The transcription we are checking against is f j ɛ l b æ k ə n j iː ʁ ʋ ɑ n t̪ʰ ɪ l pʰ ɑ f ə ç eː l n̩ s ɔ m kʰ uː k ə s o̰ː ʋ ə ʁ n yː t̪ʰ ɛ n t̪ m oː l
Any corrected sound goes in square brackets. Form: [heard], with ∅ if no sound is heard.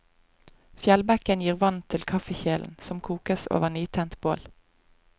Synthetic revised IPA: f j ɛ l b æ k ə n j iː ʁ ʋ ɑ n t̪ʰ ɪ l [kʰ] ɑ f ə ç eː l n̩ s ɔ m kʰ uː k ə s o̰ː ʋ ə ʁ n yː t̪ʰ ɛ n t̪ [b] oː l